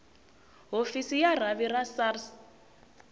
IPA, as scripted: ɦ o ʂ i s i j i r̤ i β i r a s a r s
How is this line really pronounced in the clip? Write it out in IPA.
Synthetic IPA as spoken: ɦ o f i s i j a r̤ a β i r a s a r s